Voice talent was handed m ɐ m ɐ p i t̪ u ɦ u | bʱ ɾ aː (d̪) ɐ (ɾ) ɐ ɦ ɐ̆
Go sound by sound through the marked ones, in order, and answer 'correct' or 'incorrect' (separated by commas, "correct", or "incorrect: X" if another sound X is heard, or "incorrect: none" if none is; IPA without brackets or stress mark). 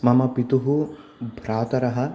incorrect: t̪, correct